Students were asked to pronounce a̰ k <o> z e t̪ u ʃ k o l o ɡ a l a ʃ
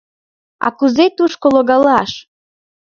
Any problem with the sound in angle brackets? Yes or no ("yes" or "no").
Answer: yes